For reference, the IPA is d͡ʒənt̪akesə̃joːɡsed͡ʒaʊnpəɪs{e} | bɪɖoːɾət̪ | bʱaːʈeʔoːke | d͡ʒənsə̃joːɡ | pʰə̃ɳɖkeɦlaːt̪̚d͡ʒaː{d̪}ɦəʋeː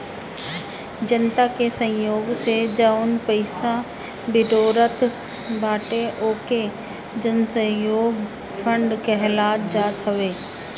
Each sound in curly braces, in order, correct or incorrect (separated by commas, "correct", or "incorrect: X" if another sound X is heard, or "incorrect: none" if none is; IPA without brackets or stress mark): incorrect: a, incorrect: t̪